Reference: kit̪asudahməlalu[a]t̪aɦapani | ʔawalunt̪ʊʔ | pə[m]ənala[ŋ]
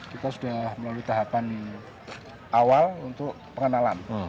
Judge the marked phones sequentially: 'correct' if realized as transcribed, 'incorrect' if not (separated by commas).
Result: incorrect, incorrect, incorrect